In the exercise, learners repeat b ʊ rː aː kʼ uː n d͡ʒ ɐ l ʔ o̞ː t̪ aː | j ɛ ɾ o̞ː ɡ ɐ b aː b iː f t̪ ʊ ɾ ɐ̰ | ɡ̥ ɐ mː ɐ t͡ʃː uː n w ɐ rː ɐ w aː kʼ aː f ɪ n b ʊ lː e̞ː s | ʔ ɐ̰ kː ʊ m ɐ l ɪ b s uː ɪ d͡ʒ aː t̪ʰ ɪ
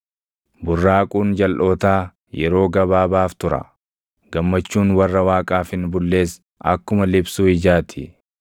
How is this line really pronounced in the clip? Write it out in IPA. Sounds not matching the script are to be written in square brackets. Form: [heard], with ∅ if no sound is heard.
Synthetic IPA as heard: b ʊ rː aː kʼ uː n d͡ʒ ɐ l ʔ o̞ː t̪ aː | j ɛ ɾ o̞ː ɡ ɐ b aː b [aː] f t̪ ʊ ɾ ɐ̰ | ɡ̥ ɐ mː ɐ t͡ʃː uː n w ɐ rː ɐ w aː kʼ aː f ɪ n b ʊ lː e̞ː s | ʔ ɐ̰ kː ʊ m ɐ l ɪ b s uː ɪ d͡ʒ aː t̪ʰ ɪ